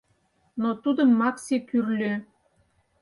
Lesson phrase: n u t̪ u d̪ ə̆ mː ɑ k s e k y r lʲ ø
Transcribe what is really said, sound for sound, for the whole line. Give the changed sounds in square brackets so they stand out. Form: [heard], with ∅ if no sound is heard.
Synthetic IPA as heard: n [o] t̪ u d̪ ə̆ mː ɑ k s e k y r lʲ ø